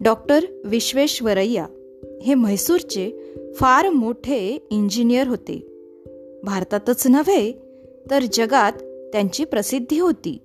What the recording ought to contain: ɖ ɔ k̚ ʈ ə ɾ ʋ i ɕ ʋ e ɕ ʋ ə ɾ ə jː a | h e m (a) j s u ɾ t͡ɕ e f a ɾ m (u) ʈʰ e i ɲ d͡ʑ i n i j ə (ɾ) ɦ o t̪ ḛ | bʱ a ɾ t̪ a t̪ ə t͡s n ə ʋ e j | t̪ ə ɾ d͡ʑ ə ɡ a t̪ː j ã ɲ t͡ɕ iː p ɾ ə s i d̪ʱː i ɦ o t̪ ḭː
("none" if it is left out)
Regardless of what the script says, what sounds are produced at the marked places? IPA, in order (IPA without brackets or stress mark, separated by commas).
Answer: ə, o, ɾ